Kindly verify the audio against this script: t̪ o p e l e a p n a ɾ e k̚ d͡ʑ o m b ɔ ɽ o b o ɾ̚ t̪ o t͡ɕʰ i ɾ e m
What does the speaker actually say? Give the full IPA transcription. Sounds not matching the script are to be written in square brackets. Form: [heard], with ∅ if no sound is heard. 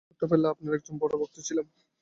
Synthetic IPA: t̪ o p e l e a p n a ɾ [ɛ] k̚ d͡ʑ o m b ɔ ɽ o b o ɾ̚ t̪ o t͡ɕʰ i [l] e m